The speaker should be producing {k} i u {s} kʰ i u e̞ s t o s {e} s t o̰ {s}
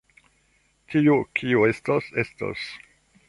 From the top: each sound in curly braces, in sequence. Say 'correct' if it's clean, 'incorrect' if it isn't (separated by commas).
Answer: incorrect, incorrect, correct, correct